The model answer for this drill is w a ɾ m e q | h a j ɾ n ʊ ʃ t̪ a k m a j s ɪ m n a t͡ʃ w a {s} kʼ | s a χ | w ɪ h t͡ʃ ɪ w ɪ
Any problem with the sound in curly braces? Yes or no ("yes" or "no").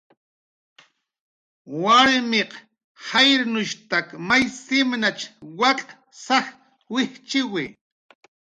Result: yes